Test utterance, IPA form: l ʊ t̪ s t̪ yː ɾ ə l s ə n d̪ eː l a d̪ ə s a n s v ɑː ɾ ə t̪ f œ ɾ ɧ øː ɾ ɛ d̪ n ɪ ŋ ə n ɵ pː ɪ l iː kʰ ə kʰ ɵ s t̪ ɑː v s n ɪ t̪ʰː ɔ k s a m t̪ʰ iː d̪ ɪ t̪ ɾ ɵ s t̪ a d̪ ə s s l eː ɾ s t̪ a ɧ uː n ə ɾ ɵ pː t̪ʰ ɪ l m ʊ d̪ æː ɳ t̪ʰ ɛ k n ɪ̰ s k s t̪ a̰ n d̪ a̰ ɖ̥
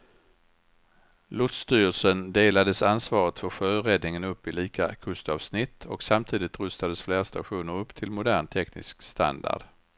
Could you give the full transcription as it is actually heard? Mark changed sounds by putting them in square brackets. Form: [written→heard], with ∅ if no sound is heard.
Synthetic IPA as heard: l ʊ t̪ s t̪ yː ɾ ə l s ə n d̪ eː l a d̪ ə s a n s v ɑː ɾ ə t̪ f œ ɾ ɧ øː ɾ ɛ d̪ n ɪ ŋ ə n ɵ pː ɪ l iː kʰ [ə→a] kʰ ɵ s t̪ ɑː v s n ɪ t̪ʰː ɔ k s a m t̪ʰ iː d̪ ɪ t̪ ɾ ɵ s t̪ a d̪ ə s [s→f] l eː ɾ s t̪ a ɧ uː n ə ɾ ɵ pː t̪ʰ ɪ l m ʊ d̪ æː ɳ t̪ʰ ɛ k n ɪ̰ s k s t̪ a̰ n d̪ a̰ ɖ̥